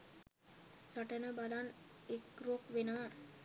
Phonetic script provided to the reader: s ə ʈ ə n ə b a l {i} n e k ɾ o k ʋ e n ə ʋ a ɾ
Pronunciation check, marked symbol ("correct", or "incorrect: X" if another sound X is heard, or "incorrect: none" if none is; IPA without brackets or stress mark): incorrect: a